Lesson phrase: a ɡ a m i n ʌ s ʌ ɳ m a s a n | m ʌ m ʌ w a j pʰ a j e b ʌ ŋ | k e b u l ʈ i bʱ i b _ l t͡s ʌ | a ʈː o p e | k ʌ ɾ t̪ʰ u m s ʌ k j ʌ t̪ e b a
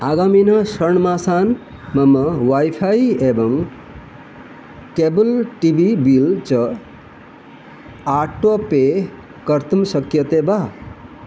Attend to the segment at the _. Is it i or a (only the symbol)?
i